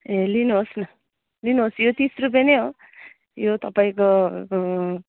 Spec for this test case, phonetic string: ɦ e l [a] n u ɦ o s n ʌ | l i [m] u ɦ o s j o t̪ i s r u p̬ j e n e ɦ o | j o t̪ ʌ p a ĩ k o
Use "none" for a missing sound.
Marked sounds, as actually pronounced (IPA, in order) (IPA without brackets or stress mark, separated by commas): i, n